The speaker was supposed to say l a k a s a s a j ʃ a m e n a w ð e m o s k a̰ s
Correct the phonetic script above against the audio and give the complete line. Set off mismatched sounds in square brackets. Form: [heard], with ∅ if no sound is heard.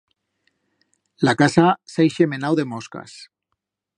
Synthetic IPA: l a k a s a s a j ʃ [e] m e n a w ð e m o s k a̰ s